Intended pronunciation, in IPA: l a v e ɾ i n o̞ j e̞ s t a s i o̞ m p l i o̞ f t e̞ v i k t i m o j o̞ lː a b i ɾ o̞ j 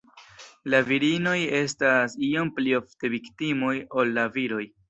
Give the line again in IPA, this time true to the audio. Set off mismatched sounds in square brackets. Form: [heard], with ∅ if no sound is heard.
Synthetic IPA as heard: l a v [i] ɾ i n o̞ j e̞ s t a s i o̞ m p l i o̞ f t e̞ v i k t i m o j o̞ lː a [v] i ɾ o̞ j